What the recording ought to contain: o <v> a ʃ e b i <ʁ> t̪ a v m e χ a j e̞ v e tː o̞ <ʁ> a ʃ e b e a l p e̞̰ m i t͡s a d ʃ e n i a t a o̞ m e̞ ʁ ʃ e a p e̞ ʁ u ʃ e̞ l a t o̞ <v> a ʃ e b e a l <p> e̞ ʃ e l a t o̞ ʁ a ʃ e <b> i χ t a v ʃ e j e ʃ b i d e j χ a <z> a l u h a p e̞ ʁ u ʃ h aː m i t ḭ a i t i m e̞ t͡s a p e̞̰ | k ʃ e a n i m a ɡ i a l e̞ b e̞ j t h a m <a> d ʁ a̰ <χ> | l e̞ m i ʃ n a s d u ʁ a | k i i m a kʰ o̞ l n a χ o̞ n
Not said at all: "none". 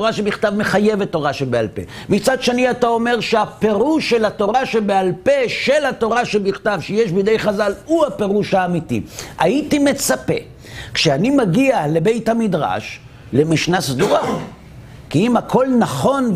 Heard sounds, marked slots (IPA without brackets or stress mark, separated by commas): ʁ, χ, ʁ, ʁ, p, b, z, i, ʃ